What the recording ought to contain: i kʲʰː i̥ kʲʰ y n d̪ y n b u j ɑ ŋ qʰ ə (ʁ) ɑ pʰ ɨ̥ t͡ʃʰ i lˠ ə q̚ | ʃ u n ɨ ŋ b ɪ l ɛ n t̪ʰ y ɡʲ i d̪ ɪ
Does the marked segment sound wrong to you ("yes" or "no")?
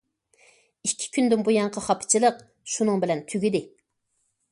yes